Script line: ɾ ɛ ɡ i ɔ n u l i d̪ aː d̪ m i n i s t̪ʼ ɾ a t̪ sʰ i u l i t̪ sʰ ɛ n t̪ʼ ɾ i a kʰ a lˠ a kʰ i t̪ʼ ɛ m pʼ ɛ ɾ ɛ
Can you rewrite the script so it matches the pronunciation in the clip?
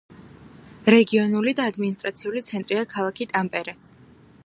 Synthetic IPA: ɾ ɛ ɡ i ɔ n u l i d̪ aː d̪ m i n i s t̪ʼ ɾ a t̪ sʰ i u l i t̪ sʰ ɛ n t̪ʼ ɾ i a kʰ a lˠ a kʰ i t̪ʼ a m pʼ ɛ ɾ ɛ

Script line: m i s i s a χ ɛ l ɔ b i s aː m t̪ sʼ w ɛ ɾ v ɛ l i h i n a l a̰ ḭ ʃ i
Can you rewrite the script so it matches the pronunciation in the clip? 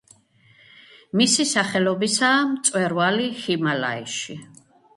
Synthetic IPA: m i s i s a χ ɛ l ɔ b i s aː m t̪ sʼ w ɛ ɾ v a l i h i m a l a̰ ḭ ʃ i

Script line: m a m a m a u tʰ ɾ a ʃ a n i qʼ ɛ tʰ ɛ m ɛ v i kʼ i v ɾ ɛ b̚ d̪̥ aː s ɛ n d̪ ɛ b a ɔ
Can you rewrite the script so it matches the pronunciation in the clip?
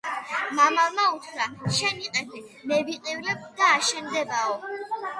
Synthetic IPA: m a m a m a u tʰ ɾ a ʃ ɛ n i qʼ ɛ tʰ ɛ m ɛ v i qʼ i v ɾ ɛ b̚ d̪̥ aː ʃ ɛ n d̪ ɛ b a ɔ

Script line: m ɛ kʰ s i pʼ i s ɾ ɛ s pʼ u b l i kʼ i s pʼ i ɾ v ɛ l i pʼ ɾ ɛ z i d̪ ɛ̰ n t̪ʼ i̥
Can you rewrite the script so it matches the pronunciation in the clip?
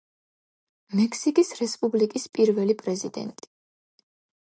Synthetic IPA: m ɛ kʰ s i kʼ i s ɾ ɛ s pʼ u b l i kʼ i s pʼ i ɾ v ɛ l i pʼ ɾ ɛ z i d̪ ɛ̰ n t̪ʼ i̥

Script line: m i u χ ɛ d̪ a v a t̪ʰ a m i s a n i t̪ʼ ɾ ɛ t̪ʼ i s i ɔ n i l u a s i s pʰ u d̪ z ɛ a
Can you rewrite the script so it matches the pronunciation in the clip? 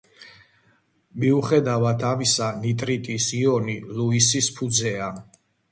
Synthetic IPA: m i u χ ɛ d̪ a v a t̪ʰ a m i s a n i t̪ʼ ɾ i t̪ʼ i s i ɔ n i l u i s i s pʰ u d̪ z ɛ a

